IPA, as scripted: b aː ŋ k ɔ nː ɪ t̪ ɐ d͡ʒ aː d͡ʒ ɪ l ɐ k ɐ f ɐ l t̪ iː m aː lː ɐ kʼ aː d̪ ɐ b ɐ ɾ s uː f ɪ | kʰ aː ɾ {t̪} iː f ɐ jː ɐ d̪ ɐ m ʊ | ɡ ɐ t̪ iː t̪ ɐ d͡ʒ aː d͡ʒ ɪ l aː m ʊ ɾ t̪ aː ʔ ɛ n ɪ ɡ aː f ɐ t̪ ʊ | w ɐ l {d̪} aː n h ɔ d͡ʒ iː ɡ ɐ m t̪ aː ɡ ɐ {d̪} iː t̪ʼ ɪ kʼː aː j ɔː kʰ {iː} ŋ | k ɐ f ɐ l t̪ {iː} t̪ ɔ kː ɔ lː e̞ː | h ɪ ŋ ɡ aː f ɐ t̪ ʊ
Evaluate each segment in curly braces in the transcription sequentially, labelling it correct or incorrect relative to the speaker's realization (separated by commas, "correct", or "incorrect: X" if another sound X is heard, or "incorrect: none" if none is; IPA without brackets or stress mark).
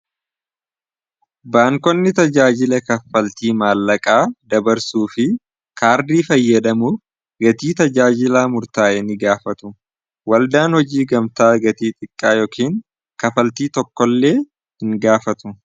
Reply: incorrect: d̪, correct, incorrect: t̪, correct, correct